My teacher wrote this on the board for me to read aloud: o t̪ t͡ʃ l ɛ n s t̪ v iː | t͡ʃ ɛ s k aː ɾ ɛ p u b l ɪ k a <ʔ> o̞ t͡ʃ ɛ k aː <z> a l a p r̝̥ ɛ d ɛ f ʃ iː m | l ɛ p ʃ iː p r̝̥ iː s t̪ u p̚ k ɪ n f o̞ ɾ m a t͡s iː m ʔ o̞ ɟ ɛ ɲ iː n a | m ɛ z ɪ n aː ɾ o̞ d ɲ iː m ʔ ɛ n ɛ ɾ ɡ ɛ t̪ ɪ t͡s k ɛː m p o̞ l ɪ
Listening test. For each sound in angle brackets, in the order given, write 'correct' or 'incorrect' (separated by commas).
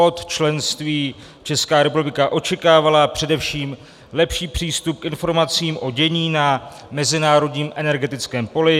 correct, incorrect